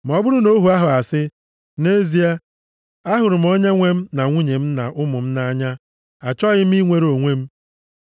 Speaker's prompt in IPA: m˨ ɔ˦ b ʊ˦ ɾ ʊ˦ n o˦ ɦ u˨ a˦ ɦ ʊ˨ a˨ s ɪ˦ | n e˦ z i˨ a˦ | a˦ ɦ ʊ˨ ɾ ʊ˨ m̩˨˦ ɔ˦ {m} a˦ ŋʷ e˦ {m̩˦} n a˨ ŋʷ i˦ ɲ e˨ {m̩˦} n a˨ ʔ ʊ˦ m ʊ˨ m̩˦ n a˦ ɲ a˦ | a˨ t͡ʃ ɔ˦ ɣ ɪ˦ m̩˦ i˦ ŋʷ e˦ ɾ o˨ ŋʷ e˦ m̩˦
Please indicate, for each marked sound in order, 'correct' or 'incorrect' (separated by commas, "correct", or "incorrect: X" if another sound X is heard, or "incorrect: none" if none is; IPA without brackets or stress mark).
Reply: incorrect: ɲ, correct, correct